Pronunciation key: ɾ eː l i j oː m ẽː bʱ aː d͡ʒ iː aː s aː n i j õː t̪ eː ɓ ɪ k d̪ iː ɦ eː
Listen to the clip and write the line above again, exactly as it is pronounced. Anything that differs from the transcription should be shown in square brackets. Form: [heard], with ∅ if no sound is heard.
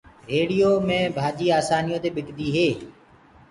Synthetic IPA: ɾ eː [ɽ] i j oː m ẽː bʱ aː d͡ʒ iː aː s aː n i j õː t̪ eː ɓ ɪ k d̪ iː ɦ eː